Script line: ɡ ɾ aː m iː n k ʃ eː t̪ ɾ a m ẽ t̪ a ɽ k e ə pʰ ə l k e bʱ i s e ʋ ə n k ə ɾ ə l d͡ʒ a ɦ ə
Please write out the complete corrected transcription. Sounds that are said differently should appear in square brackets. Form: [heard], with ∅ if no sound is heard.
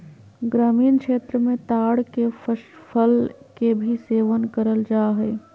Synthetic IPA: ɡ ɾ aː m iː n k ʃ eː t̪ ɾ [ə] m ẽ t̪ a ɽ k e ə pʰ ə l k e bʱ i s e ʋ ə n k ə ɾ ə l d͡ʒ a ɦ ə